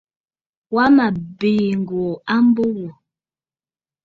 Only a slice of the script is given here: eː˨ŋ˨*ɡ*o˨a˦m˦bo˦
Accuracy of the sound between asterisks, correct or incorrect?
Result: correct